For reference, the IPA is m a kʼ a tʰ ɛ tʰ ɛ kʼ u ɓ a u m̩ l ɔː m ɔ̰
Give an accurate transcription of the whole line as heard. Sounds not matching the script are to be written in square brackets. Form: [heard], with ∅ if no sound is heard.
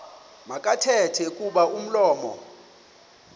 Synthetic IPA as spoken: m a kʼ a tʰ ɛ tʰ ɛ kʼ u ɓ a u m̩ l ɔː m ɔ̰